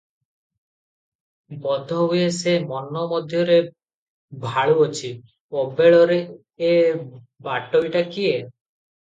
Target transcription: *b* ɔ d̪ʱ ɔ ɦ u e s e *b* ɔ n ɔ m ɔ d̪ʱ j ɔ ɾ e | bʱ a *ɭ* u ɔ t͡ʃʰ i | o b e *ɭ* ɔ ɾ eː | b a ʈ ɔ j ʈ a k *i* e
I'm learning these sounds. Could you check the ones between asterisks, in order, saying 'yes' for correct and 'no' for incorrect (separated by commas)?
yes, no, yes, yes, yes